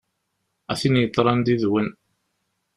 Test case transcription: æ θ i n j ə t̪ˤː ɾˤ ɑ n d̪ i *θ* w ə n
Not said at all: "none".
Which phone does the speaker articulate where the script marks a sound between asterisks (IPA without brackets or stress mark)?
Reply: ð